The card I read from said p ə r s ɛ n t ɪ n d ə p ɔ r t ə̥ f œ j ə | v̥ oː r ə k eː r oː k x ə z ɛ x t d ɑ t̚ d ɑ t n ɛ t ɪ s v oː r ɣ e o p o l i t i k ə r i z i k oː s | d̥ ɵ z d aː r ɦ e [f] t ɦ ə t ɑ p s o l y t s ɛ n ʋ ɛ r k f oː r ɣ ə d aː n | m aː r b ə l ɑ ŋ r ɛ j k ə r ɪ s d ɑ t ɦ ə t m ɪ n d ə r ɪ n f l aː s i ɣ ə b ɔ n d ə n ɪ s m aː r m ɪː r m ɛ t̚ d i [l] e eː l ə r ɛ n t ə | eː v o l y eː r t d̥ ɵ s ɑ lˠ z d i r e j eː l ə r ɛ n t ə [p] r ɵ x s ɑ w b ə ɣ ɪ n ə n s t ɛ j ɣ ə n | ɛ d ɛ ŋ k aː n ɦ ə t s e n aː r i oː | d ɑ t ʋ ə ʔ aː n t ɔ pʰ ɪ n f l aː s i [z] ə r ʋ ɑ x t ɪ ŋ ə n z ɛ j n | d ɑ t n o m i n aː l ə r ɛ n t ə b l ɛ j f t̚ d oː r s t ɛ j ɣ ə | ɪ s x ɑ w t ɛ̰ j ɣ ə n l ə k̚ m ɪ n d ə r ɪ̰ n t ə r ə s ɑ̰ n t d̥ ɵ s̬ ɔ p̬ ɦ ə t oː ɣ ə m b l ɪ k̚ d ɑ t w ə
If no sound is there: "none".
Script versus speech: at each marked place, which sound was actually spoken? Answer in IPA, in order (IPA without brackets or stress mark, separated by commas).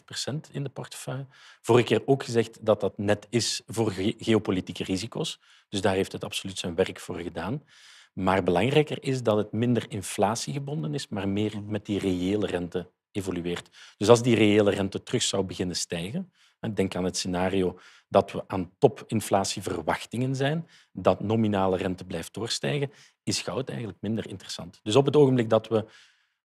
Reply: f, r, t, v